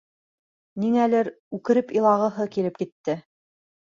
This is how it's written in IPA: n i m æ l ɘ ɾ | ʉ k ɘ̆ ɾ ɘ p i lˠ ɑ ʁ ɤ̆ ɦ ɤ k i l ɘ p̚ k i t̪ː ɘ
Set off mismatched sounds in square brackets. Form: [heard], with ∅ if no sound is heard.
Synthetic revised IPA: n i [ŋ] æ l ɘ ɾ | ʉ k ɘ̆ ɾ ɘ p i lˠ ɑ ʁ ɤ̆ ɦ ɤ k i l ɘ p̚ k i t̪ː ɘ